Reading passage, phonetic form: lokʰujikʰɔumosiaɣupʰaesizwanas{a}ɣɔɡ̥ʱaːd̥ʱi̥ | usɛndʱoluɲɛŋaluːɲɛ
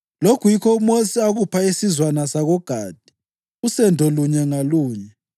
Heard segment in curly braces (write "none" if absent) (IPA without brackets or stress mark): a